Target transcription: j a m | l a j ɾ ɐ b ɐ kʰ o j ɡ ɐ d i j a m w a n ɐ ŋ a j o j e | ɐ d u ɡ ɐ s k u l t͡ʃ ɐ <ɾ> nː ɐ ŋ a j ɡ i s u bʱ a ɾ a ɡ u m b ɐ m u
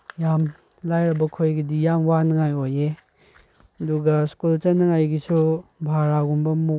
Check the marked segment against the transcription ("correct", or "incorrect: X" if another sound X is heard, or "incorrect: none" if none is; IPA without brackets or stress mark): incorrect: none